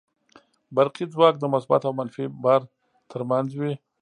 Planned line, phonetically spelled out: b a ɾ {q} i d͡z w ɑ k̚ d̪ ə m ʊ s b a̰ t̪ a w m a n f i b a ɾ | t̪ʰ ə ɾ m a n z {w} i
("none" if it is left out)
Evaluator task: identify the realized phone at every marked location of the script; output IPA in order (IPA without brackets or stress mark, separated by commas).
q, w